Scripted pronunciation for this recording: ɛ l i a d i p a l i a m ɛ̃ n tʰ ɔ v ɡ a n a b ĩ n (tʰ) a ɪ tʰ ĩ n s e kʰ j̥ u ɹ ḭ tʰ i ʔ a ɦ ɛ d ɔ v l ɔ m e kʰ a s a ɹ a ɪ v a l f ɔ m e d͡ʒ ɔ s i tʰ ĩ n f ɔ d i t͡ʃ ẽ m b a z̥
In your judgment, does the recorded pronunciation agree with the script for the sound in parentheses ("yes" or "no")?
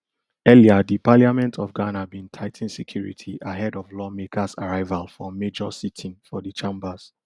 yes